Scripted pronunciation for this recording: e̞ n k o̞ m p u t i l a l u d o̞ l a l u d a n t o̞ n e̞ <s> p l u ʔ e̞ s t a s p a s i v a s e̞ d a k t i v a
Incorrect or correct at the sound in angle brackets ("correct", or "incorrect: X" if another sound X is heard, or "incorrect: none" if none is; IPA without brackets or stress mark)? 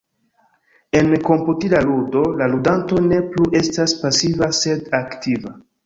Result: incorrect: none